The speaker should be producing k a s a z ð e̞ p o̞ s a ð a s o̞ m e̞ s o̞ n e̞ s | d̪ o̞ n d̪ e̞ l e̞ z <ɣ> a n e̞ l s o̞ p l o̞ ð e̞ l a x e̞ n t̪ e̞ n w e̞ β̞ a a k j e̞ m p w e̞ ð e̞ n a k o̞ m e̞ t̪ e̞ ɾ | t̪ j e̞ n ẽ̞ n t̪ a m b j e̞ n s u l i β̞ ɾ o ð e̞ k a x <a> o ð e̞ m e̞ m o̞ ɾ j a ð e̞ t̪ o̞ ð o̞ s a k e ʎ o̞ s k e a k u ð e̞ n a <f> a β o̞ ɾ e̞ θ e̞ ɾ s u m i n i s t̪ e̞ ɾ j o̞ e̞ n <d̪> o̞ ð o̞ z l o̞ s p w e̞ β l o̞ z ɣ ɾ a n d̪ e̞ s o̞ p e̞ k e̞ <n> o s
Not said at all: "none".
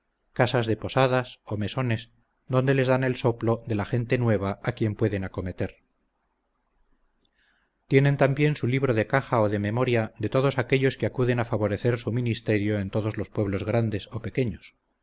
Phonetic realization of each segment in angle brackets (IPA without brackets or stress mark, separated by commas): ð, a, f, t̪, ɲ